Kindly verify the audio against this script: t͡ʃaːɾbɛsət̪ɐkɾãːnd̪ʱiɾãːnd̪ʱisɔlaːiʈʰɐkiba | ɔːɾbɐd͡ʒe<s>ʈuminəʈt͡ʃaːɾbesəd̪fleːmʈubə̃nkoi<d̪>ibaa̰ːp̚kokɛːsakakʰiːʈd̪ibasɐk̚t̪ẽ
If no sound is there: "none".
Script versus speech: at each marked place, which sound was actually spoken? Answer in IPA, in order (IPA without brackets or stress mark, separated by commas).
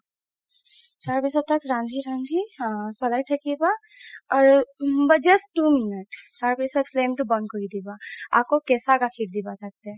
s, d̪